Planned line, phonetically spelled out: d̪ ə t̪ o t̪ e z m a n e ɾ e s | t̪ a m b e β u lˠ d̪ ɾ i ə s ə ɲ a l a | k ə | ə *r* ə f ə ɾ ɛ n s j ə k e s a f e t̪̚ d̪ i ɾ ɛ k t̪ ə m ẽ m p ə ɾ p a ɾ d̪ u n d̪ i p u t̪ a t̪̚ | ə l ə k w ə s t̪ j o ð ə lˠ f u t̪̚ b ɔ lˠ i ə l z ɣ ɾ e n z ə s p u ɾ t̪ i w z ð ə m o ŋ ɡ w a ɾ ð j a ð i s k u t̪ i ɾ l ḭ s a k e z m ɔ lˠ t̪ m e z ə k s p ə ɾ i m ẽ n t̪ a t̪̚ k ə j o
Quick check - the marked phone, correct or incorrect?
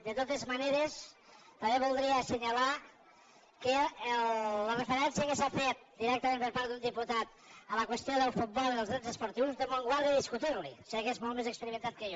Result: correct